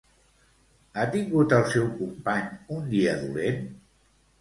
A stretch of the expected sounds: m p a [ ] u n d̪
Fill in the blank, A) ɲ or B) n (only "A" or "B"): A